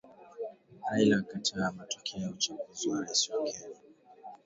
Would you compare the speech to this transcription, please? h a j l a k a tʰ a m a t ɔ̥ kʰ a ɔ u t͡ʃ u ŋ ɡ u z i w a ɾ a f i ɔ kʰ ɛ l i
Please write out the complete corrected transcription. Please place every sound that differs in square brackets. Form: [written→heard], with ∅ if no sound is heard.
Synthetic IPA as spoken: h a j l a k a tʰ a m a t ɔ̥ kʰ [a→ɛ] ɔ u t͡ʃ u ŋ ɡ u z i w a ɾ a [f→s] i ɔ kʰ ɛ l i